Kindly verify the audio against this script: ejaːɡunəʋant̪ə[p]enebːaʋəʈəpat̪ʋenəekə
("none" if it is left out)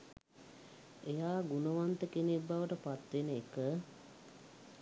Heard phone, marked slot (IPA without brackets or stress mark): k